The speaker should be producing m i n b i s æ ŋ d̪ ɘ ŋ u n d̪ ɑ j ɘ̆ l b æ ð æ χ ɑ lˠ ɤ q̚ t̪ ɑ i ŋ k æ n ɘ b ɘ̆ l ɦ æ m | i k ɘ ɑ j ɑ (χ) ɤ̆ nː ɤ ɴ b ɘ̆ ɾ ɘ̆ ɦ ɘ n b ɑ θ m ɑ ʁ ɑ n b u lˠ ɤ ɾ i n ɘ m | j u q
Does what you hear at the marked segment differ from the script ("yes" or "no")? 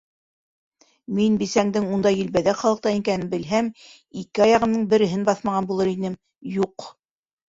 yes